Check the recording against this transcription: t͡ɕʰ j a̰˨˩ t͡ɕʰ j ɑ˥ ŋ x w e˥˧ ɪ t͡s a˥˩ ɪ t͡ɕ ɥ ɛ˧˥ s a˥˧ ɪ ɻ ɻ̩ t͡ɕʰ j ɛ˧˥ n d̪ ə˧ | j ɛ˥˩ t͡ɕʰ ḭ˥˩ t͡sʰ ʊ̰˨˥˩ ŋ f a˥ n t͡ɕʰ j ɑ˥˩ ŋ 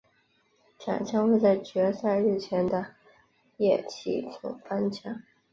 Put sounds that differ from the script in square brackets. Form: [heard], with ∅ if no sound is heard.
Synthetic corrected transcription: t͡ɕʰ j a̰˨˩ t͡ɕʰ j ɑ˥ ŋ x w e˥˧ ɪ t͡s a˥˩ ɪ t͡ɕ ɥ ɛ˧˥ s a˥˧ ɪ ɻ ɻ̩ t͡ɕʰ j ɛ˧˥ n d̪ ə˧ | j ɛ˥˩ t͡ɕʰ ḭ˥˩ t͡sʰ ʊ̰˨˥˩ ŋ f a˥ n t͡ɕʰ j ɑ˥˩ ŋ